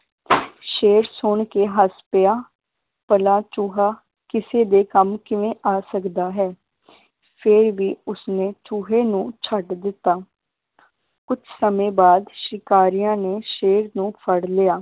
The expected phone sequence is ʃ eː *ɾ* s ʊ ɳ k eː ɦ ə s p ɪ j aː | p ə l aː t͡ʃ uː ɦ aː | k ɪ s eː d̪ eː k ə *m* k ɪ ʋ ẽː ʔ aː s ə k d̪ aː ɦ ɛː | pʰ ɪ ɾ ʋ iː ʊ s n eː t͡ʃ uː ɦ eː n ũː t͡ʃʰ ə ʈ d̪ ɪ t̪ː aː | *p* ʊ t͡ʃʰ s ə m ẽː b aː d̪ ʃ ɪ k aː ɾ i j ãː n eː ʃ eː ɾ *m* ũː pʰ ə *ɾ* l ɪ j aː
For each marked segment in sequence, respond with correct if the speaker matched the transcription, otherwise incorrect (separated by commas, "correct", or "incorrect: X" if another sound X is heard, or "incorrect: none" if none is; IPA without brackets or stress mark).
correct, correct, incorrect: k, incorrect: n, incorrect: ɽ